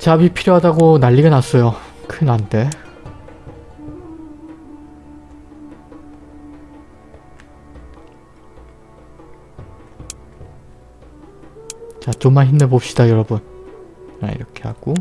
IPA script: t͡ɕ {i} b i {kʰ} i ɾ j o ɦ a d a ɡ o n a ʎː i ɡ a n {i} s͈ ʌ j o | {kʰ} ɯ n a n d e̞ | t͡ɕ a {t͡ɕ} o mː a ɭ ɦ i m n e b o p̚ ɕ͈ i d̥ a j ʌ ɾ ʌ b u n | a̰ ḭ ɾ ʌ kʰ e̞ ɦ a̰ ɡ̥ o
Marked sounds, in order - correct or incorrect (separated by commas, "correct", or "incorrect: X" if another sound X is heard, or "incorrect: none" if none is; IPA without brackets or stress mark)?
incorrect: a, incorrect: pʰ, incorrect: a, correct, correct